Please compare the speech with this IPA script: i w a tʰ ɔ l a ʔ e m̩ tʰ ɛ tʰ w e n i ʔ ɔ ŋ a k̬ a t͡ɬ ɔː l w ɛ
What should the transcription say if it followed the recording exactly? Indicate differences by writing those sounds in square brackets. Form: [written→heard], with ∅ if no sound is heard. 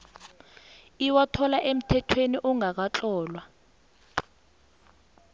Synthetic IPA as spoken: i w a tʰ ɔ l a ʔ e m̩ tʰ ɛ tʰ w e n i ʔ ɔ ŋ a k̬ a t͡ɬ ɔː l w [ɛ→a]